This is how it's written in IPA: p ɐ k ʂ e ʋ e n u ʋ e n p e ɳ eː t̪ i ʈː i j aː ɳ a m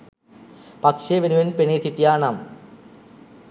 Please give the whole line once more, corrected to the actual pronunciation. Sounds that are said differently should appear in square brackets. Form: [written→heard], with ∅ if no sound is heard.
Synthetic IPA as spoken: p ɐ k ʂ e ʋ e n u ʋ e n p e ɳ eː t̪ i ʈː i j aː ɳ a m

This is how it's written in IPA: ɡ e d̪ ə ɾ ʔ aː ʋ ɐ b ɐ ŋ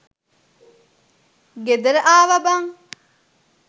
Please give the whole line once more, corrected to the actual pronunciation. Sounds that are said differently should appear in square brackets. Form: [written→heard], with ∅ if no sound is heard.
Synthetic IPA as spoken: ɡ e d̪ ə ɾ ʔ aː ʋ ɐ b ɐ ŋ

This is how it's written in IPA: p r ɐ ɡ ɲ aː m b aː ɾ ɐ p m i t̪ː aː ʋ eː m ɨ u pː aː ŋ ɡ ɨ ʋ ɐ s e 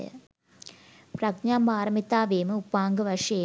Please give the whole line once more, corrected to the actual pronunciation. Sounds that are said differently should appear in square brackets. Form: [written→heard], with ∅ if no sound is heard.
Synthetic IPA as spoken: p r ɐ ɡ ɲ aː m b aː ɾ ɐ [p→∅] m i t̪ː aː ʋ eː m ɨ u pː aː ŋ ɡ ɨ ʋ ɐ [s→ʂ] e

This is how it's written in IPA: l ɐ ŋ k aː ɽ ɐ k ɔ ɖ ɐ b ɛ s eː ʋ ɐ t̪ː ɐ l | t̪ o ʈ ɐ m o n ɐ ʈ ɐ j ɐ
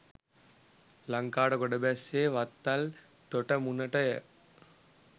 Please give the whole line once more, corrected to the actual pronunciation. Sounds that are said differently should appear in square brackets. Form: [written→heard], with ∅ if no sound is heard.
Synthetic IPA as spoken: l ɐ ŋ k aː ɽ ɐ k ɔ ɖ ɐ b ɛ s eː ʋ ɐ t̪ː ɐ l | t̪ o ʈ ɐ m [o→u] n ɐ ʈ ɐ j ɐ

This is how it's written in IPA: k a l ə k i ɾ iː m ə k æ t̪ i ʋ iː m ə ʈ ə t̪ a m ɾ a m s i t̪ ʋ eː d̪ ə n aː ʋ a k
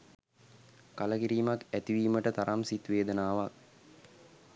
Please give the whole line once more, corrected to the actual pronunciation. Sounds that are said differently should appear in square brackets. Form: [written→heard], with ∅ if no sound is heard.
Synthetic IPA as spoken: k a l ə k i ɾ iː m [ə→a] k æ t̪ i ʋ iː m ə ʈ ə t̪ a [m→∅] ɾ a m s i t̪ ʋ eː d̪ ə n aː ʋ a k

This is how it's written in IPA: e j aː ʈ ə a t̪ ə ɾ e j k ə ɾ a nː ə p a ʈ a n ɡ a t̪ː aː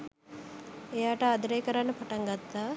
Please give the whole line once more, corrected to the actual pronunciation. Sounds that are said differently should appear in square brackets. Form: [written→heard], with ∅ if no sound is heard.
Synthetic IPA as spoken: e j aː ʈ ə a [t̪→d̪] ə ɾ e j k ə ɾ a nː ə p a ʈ a [n→ŋ] ɡ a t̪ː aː

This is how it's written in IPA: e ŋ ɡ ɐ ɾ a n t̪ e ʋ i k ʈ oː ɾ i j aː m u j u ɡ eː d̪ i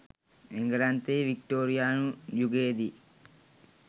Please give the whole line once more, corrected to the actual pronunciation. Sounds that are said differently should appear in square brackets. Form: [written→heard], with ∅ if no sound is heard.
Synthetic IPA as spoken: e ŋ ɡ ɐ ɾ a n t̪ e ʋ i k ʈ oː ɾ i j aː [m→n] u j u ɡ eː d̪ i

